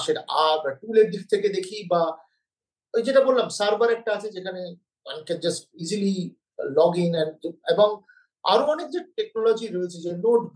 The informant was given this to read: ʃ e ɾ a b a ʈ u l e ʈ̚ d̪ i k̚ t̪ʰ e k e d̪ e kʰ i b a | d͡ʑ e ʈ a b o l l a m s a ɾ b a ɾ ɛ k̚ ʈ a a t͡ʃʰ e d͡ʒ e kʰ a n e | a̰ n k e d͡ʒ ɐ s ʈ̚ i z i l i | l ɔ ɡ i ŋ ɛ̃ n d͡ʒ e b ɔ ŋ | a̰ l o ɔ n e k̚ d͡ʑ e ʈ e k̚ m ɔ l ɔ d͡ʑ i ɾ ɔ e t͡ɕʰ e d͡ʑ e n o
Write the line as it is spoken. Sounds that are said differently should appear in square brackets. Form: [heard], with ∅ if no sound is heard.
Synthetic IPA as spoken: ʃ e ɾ a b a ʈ u l e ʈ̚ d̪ i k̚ t̪ʰ e k e d̪ e kʰ i b a | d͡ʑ e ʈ a b o l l a m s a ɾ b a ɾ ɛ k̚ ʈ a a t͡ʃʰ e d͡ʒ e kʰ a n e | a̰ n k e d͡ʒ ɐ s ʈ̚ i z i l i | l ɔ ɡ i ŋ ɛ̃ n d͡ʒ e b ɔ ŋ | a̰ [ɾ] o ɔ n e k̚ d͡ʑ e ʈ e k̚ [n] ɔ l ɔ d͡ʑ i ɾ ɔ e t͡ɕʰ e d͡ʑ e n o